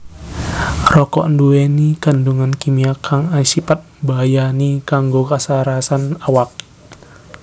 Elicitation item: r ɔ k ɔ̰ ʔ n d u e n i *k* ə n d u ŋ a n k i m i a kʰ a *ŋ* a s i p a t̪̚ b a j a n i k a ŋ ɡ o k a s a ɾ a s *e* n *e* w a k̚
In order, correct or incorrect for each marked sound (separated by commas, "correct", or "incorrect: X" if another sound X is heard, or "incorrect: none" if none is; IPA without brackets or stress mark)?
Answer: correct, correct, incorrect: a, incorrect: a